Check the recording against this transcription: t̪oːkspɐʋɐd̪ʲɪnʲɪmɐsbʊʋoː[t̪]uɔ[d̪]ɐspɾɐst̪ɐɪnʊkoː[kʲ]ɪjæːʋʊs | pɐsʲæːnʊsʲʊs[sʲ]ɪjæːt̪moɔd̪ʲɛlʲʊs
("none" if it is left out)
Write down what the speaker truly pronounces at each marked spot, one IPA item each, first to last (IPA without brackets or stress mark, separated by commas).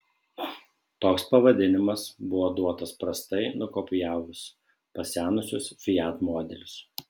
d̪, t̪, pʲ, fʲ